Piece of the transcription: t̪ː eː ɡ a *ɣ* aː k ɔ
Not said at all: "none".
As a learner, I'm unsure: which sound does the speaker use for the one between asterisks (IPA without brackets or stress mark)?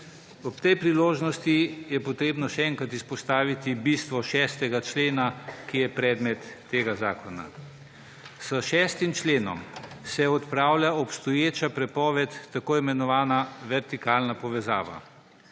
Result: z